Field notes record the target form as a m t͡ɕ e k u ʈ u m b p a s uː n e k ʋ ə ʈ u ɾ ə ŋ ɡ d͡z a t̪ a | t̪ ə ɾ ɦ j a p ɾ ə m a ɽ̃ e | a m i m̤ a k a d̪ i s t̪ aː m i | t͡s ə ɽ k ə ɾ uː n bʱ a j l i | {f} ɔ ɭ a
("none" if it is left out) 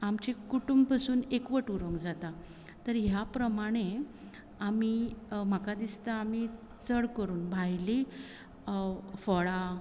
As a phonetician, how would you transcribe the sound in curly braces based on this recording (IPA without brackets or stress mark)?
f